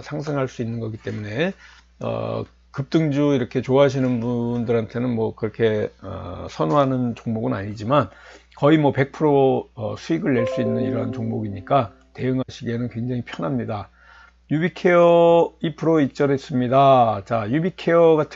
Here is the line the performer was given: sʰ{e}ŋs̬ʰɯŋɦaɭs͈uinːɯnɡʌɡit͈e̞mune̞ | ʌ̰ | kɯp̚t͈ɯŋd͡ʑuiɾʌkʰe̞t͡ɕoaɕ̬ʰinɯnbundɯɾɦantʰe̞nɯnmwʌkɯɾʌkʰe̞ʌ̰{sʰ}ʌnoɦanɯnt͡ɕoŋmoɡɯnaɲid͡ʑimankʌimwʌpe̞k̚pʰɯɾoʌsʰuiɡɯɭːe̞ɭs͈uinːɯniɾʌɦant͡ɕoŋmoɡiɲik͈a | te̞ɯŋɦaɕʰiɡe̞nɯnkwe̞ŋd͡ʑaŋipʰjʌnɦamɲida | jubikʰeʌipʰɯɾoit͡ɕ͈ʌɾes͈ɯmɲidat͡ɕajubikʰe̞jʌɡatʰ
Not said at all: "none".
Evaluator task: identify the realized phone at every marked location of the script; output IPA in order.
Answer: a, sʰ

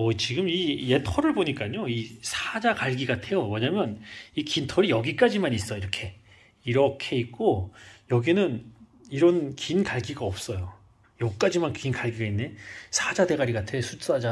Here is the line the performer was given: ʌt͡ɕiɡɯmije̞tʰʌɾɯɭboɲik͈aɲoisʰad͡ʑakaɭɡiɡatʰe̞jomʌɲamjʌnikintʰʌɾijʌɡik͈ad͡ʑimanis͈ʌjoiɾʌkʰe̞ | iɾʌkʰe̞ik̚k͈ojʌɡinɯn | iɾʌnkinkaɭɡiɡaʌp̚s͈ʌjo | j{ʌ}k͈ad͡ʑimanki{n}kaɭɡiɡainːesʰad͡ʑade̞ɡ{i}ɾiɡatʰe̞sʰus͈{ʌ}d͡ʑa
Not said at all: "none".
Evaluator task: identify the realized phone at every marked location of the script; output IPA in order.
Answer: ʌ, n, a, a

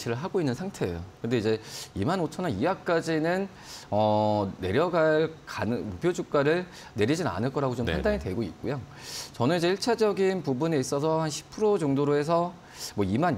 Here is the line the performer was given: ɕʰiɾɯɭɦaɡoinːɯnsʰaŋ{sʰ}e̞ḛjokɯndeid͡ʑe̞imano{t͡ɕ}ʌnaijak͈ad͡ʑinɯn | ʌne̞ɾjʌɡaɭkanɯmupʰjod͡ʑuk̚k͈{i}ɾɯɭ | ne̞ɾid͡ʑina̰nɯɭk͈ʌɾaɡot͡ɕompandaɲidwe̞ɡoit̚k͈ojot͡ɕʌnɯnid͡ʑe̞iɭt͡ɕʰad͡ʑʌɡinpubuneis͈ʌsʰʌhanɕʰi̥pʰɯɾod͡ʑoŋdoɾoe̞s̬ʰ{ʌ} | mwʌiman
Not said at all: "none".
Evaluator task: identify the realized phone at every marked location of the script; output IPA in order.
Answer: tʰ, t͡ɕʰ, a, ʌ

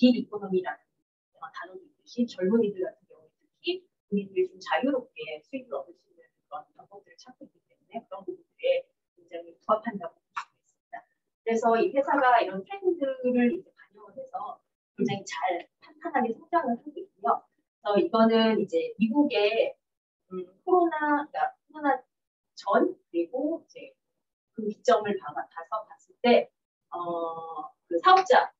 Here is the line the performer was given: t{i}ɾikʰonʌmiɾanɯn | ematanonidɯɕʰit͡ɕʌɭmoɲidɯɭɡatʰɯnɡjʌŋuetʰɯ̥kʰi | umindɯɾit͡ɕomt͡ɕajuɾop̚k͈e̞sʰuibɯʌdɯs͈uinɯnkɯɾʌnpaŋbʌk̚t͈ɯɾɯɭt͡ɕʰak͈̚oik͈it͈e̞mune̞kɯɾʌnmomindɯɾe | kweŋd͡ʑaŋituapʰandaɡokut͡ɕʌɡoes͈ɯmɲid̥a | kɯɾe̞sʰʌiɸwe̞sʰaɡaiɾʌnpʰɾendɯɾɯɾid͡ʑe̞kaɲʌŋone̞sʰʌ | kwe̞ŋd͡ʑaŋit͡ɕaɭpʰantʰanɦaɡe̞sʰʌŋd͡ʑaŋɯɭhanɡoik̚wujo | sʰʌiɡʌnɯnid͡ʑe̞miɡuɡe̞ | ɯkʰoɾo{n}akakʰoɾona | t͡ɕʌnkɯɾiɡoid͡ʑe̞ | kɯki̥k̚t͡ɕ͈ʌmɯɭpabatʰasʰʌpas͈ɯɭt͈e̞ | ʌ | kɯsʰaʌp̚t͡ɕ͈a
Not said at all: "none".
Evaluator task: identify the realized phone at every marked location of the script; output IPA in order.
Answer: i, n

